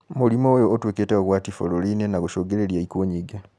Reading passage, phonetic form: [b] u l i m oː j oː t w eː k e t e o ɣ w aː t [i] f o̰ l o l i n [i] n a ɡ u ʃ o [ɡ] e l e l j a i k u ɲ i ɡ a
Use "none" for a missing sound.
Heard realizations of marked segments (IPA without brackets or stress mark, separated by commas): m, i, e, ɡ